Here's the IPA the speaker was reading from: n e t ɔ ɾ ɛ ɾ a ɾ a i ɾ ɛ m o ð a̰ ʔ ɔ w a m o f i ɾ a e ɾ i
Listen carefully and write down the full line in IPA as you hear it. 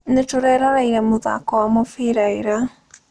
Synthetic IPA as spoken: n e t o ɾ ɛ ɾ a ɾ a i ɾ ɛ m o ð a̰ k ɔ w a m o f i ɾ a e ɾ a